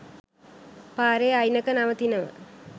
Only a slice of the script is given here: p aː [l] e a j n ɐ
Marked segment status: incorrect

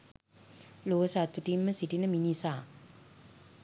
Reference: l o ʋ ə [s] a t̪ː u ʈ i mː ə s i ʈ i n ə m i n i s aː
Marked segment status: correct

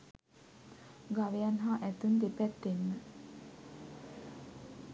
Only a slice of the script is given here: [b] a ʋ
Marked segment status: incorrect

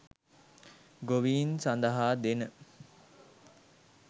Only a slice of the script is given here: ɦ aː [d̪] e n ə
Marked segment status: correct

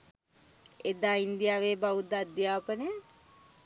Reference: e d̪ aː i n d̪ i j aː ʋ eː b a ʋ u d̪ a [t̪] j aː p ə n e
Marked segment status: incorrect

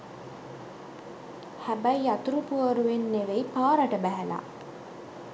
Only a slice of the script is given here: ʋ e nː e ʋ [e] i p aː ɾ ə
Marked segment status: correct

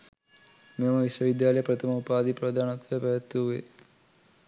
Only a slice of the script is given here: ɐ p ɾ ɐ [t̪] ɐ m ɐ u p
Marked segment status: incorrect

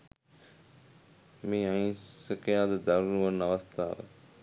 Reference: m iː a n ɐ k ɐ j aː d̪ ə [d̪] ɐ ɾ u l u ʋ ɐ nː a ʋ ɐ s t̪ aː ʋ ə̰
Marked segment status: correct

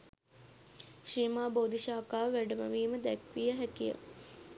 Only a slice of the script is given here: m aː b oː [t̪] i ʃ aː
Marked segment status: incorrect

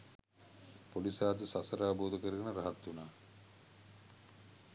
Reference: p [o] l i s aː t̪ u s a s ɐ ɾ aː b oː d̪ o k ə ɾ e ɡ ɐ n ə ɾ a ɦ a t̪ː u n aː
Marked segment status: correct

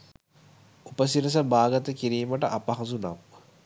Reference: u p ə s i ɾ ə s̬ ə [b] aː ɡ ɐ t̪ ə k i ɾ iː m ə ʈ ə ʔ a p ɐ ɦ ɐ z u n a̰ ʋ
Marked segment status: correct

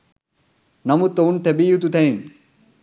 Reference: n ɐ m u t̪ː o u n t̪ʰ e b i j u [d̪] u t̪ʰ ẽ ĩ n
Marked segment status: incorrect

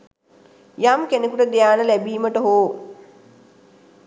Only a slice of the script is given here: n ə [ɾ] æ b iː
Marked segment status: incorrect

